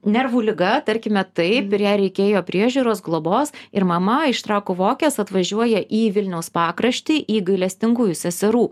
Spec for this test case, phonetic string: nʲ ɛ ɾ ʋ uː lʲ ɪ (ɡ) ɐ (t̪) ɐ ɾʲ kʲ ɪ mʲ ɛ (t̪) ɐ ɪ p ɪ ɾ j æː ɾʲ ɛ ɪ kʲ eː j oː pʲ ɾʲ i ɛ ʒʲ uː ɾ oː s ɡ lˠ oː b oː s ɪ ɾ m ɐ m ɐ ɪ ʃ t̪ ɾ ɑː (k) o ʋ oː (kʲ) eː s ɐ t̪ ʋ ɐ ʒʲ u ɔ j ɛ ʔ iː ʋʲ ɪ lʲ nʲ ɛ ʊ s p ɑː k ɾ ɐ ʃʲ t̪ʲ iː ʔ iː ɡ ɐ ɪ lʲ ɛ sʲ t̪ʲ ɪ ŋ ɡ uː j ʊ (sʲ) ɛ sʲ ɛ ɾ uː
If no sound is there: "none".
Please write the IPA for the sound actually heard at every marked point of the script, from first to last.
ɡ, t̪, t̪, k, kʲ, sʲ

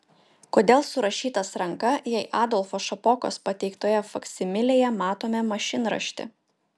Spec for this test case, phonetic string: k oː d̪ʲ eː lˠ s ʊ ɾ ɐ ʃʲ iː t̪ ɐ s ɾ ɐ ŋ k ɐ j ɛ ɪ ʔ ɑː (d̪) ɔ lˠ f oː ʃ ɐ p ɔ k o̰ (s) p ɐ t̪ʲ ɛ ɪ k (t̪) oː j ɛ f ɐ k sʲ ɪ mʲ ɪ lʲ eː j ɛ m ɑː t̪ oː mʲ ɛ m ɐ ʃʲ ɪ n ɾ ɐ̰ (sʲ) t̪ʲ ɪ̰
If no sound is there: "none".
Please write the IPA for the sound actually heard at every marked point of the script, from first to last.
d̪, s, t̪, ʃʲ

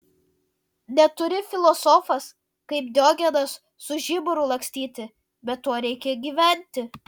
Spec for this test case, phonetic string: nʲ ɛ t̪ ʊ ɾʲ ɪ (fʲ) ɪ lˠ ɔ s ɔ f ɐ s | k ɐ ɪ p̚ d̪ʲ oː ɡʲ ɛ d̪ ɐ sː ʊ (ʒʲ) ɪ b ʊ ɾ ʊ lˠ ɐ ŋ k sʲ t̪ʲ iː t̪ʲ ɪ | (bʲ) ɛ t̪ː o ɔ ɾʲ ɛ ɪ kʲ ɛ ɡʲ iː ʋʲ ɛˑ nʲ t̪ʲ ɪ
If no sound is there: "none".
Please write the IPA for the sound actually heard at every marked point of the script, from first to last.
fʲ, ʒʲ, bʲ

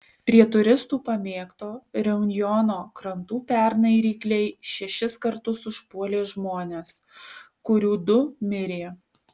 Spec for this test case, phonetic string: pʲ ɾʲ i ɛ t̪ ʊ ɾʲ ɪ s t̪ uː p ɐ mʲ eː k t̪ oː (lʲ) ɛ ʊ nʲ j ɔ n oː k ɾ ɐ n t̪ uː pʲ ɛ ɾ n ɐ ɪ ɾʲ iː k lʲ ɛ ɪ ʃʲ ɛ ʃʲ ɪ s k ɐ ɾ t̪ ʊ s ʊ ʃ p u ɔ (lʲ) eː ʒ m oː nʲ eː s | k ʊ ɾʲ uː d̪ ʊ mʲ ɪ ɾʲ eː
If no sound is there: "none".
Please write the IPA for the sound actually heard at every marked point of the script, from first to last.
ɾʲ, lʲ

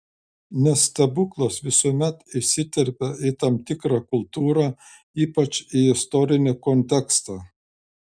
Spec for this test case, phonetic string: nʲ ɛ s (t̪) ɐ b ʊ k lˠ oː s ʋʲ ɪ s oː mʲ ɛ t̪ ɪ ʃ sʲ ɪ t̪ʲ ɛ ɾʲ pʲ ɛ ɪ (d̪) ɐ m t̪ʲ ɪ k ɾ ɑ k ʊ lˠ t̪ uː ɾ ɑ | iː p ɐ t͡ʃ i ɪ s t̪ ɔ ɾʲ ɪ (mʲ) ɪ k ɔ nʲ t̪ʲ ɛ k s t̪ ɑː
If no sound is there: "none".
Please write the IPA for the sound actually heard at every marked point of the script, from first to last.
t̪, t̪, nʲ

